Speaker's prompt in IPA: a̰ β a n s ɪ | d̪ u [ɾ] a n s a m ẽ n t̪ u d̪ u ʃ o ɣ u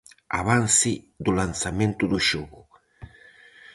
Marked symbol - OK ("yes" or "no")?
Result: no